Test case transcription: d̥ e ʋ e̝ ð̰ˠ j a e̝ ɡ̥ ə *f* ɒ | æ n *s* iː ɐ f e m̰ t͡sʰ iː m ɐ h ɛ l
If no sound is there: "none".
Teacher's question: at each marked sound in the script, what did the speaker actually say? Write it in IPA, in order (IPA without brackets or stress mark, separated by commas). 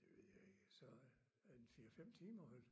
s, f